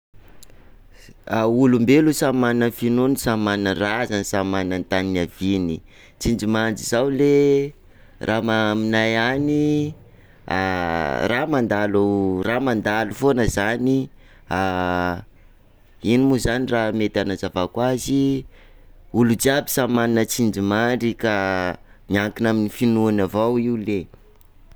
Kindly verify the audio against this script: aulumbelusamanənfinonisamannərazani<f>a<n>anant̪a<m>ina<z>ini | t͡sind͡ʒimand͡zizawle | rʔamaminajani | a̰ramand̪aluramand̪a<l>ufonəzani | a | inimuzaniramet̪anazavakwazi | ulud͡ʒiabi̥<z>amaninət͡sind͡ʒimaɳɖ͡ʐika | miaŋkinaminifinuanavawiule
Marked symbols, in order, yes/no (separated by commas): no, no, no, no, yes, no